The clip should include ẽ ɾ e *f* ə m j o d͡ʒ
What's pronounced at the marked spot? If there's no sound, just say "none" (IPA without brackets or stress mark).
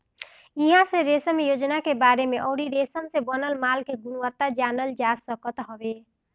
s